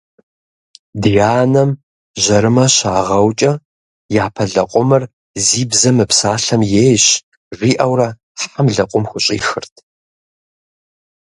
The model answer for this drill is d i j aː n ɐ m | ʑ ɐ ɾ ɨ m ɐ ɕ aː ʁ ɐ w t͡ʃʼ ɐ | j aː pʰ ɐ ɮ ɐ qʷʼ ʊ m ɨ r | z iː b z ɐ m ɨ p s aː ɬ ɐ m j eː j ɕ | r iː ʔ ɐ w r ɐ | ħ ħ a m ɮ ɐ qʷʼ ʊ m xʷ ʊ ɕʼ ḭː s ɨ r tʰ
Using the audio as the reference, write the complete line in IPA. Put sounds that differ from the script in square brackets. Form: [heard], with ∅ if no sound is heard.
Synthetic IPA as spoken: d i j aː n ɐ m | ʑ ɐ ɾ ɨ m ɐ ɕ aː ʁ ɐ w t͡ʃʼ ɐ | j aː pʰ ɐ ɮ ɐ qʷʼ ʊ m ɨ r | z iː b z ɐ m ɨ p s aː ɬ ɐ m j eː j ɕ | r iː ʔ ɐ w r ɐ | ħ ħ a m ɮ ɐ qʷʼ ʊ m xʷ ʊ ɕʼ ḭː [x] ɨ r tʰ